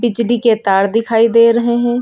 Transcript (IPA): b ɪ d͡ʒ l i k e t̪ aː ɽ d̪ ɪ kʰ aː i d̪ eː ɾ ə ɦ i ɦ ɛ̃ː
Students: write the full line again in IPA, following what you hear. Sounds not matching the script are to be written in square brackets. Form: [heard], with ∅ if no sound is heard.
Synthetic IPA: b ɪ d͡ʒ l i k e t̪ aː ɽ d̪ ɪ kʰ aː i d̪ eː ɾ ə ɦ [e] ɦ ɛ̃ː